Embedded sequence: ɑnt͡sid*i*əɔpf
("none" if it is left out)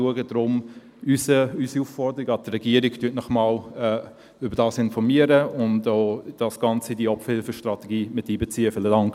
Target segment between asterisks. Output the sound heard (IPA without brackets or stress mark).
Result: i